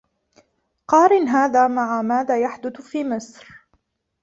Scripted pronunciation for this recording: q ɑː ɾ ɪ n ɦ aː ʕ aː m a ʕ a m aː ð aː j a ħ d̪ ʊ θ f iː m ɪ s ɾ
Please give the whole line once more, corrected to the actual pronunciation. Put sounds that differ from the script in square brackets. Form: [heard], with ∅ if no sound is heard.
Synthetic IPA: q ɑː ɾ ɪ n ɦ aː [ð] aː m a ʕ a m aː ð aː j a ħ d̪ ʊ θ f iː m ɪ s ɾ